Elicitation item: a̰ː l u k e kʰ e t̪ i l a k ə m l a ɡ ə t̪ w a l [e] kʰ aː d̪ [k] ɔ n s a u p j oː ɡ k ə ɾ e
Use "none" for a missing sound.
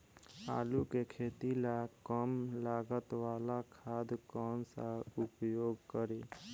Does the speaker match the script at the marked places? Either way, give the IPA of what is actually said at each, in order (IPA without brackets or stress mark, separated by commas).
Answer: a, k